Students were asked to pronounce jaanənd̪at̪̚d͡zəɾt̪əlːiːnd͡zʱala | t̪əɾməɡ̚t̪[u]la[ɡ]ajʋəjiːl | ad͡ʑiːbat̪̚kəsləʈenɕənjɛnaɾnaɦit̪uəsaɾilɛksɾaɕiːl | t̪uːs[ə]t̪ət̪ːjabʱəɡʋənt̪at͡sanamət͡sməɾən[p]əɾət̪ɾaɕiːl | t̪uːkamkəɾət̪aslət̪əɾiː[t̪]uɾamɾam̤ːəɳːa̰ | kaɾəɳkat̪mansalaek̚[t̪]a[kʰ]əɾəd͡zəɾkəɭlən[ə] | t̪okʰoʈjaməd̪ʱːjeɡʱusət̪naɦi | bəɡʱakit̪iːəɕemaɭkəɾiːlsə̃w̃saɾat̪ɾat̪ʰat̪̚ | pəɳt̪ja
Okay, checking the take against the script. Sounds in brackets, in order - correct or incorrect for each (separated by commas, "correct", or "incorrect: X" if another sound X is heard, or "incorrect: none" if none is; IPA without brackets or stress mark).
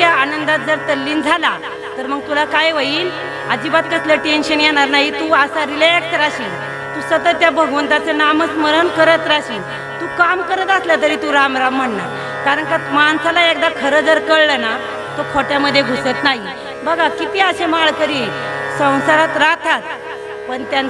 correct, incorrect: k, correct, incorrect: k, correct, incorrect: d̪, correct, incorrect: a